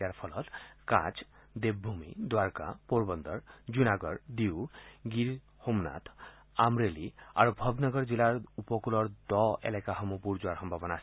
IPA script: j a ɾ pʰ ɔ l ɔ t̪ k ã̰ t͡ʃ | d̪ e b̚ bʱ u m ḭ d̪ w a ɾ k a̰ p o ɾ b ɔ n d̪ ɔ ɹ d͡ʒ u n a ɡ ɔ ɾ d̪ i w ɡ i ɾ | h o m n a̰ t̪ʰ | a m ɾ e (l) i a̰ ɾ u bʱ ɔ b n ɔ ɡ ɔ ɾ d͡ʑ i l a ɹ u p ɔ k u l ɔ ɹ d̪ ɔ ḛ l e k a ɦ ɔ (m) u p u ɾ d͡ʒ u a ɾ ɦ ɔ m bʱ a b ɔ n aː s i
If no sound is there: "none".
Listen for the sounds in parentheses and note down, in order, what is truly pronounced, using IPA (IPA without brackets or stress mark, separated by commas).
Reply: l, m